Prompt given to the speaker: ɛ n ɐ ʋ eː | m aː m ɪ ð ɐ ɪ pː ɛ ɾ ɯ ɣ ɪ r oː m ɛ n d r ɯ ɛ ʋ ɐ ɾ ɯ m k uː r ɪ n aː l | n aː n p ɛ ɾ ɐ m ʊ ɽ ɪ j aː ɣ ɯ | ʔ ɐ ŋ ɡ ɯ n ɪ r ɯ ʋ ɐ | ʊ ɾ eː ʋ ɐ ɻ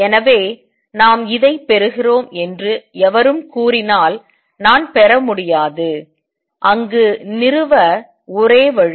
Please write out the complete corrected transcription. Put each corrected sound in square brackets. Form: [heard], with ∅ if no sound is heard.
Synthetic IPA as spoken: ɛ n ɐ ʋ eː | [n] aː m ɪ ð ɐ ɪ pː ɛ ɾ ɯ ɣ ɪ r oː m ɛ n d r ɯ ɛ ʋ ɐ ɾ ɯ m k uː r ɪ n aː l | n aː n p ɛ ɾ ɐ m ʊ ɽ ɪ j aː [ð] ɯ | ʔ ɐ ŋ ɡ ɯ n ɪ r ɯ ʋ ɐ | ʊ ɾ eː ʋ ɐ ɻ